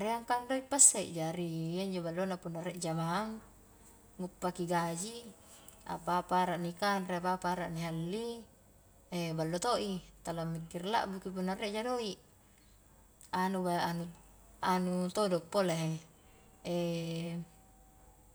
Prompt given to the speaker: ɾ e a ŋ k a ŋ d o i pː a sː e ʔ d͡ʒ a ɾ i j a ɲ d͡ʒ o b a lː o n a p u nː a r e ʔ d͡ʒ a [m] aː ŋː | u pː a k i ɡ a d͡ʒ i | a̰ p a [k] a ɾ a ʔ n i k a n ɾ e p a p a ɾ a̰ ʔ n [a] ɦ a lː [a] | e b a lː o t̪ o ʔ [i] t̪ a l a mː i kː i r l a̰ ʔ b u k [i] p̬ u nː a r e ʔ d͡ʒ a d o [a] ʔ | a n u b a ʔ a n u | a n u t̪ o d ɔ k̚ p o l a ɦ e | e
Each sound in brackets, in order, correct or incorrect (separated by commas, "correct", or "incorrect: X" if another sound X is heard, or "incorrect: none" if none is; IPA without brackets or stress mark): correct, incorrect: p, incorrect: i, incorrect: i, correct, correct, incorrect: i